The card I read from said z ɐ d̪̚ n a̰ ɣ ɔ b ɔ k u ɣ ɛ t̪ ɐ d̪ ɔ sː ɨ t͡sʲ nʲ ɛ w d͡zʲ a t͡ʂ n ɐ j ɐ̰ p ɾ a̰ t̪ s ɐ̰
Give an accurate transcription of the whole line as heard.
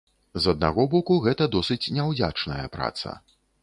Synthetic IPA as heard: z ɐ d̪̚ n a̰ ɣ ɔ b ɔ k u ɣ ɛ t̪ ɐ d̪ ɔ s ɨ t͡sʲ nʲ ɛ w d͡zʲ a t͡ʂ n ɐ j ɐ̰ p ɾ a̰ t̪ s ɐ̰